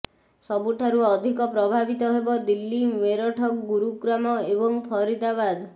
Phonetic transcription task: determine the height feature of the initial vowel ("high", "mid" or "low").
mid